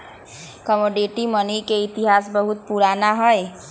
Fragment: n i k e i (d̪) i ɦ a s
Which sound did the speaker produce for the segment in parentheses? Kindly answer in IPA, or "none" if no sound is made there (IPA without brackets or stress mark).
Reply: t̪